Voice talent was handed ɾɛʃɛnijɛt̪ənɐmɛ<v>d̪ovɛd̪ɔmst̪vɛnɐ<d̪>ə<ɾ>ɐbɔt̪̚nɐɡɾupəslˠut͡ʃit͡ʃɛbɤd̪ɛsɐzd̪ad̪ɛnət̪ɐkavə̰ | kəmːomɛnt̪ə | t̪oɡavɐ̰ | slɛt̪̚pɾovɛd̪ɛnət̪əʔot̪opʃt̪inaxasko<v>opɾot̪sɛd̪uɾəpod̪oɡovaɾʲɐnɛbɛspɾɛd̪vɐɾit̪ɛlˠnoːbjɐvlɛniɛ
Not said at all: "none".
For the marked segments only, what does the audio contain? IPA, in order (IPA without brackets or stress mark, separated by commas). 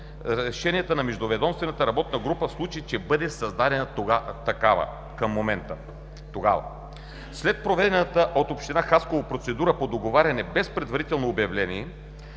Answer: ʒ, t̪, ɾ, v